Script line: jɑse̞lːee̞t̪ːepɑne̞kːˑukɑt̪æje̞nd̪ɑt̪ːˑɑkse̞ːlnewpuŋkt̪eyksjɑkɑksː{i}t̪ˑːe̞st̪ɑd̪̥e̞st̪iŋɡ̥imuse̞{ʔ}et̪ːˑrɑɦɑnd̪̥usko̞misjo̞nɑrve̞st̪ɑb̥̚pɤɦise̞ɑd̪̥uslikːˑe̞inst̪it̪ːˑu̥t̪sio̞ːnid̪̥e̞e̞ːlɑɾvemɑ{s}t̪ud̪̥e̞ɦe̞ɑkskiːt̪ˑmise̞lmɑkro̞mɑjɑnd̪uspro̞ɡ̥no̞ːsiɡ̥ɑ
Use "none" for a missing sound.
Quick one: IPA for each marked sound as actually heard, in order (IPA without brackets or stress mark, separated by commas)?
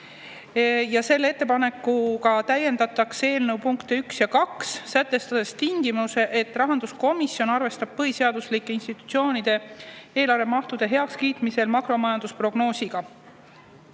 æ, ʔ, h